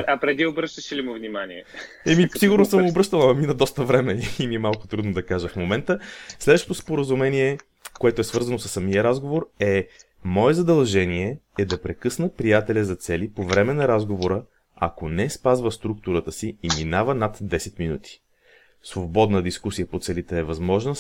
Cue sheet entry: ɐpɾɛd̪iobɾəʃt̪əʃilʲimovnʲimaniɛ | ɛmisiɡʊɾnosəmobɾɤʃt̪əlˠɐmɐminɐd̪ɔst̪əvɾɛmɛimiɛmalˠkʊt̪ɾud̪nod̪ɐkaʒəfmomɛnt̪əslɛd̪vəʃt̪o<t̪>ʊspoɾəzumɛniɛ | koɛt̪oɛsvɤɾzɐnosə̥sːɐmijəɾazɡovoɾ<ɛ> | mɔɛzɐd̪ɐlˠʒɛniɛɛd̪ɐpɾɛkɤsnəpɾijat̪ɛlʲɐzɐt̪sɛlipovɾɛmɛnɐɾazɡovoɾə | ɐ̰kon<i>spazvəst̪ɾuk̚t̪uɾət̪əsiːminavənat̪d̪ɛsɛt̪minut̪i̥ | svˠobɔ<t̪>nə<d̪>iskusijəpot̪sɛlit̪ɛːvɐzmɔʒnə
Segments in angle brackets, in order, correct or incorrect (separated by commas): correct, correct, incorrect, incorrect, correct